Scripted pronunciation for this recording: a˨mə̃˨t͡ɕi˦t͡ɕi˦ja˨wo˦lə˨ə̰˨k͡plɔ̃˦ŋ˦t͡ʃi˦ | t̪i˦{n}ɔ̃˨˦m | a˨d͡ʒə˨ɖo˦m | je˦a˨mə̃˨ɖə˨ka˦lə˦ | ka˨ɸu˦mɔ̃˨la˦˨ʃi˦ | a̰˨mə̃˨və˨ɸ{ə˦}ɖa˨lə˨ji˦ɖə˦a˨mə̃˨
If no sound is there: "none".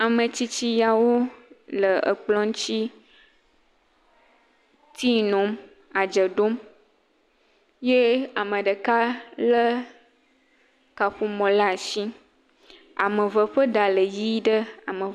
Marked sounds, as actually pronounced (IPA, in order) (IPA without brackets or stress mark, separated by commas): n, ə˦